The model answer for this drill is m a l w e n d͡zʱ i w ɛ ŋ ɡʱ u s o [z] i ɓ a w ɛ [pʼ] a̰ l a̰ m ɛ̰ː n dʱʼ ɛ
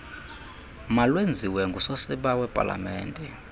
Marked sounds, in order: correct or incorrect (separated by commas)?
incorrect, correct